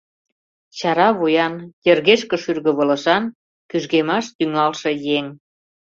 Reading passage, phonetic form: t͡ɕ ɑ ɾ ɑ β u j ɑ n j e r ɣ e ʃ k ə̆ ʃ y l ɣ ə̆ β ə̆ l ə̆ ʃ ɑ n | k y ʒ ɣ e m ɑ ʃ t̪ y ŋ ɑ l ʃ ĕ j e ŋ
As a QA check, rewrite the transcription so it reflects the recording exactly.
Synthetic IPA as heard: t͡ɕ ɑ ɾ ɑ β u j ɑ n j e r ɣ e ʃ k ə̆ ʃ y r ɣ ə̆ β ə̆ l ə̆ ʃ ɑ n | k y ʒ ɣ e m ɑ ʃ t̪ y ŋ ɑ l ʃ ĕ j e ŋ